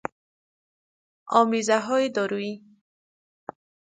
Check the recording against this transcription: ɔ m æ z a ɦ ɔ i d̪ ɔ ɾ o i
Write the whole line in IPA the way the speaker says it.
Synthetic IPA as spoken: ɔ m i z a ɦ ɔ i d̪ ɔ ɾ u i